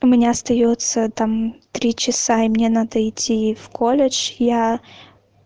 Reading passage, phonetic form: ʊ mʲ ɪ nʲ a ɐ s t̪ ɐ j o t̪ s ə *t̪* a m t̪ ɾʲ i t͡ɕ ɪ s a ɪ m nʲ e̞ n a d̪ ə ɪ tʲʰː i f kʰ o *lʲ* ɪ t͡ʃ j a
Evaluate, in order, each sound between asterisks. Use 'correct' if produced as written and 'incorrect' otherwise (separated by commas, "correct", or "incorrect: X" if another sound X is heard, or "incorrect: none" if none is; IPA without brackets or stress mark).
correct, correct